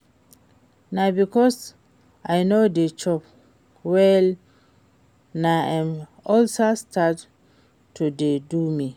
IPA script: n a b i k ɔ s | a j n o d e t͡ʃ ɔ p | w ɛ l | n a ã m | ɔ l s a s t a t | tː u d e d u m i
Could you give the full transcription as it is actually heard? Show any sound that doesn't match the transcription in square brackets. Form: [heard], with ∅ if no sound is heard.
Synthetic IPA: n a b i k ɔ s | a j n o d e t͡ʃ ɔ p | w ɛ l | n a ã m | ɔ l s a s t a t | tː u d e d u m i